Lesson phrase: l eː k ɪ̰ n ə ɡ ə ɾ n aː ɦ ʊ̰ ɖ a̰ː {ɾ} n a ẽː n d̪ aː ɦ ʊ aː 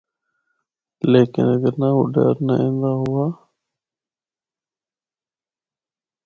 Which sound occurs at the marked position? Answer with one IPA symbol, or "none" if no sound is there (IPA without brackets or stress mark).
ɾ